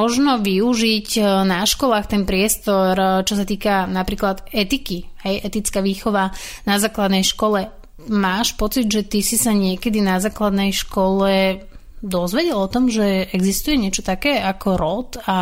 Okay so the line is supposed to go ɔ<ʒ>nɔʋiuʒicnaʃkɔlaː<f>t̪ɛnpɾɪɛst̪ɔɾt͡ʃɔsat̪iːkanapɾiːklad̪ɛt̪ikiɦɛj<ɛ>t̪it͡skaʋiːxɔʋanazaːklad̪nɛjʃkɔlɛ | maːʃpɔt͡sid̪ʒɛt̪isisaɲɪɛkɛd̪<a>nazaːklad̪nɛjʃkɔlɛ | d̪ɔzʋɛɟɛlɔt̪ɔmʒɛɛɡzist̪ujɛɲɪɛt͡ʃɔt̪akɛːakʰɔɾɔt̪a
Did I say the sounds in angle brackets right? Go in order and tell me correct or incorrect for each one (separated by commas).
correct, incorrect, correct, incorrect